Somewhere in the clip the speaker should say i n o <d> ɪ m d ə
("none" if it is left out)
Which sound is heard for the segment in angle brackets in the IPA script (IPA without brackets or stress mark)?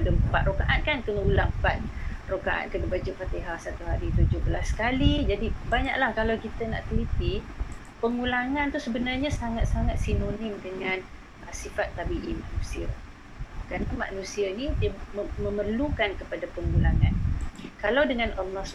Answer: n